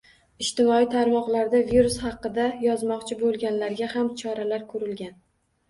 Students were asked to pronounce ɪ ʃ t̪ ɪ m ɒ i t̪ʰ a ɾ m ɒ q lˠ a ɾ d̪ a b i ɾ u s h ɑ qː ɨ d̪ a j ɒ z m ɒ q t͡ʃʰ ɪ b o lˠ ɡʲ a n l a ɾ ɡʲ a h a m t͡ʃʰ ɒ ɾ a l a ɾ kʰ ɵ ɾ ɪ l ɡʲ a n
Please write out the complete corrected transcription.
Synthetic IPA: ɪ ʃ t̪ ɪ m ɒ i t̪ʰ a ɾ m ɒ q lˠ a ɾ d̪ a v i ɾ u s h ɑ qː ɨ d̪ a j ɒ z m ɒ q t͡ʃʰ ɪ b o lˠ ɡʲ a n l a ɾ ɡʲ a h a m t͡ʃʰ ɒ ɾ a l a ɾ kʰ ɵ ɾ ɪ l ɡʲ a n